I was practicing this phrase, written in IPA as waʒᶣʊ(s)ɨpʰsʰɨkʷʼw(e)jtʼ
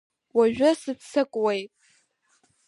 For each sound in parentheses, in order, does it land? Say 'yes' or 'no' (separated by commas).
yes, yes